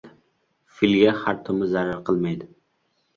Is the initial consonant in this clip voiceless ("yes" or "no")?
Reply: yes